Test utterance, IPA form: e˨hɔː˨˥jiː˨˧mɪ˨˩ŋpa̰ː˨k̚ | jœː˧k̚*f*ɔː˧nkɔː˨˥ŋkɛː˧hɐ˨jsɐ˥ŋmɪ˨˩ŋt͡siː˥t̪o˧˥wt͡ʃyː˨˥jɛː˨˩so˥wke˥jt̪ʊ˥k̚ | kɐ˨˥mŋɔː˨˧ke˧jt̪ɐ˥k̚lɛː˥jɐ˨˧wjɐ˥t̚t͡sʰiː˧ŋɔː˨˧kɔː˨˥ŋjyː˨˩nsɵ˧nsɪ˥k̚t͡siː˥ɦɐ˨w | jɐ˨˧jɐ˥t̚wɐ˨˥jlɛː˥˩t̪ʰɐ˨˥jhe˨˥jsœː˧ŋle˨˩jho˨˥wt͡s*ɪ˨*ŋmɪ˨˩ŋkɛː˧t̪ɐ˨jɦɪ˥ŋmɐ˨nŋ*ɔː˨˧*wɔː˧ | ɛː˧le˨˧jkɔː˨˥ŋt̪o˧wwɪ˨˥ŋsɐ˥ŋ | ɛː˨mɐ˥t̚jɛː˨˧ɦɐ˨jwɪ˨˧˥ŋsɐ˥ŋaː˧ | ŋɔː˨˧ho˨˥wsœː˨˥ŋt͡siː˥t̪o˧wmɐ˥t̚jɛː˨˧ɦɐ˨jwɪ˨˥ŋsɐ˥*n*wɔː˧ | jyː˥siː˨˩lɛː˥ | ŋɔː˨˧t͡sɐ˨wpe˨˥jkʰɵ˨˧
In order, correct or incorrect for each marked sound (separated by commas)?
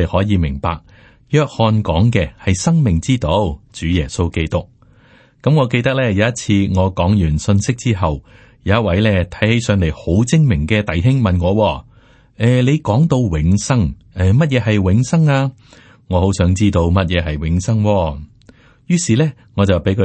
incorrect, incorrect, correct, incorrect